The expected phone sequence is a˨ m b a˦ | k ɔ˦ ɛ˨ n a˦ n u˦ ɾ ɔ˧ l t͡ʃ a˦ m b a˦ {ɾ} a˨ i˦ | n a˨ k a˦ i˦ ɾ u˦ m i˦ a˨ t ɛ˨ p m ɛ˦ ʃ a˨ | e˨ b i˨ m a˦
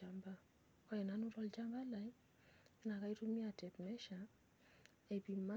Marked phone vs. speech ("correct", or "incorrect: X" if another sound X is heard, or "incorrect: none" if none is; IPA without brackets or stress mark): incorrect: l